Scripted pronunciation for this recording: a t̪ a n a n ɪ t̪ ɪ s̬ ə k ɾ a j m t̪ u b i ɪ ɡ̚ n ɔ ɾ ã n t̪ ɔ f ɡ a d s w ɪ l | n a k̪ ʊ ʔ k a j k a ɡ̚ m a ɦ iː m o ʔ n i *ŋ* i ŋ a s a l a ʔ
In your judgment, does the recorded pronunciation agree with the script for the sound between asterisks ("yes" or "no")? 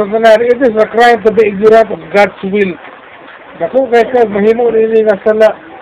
no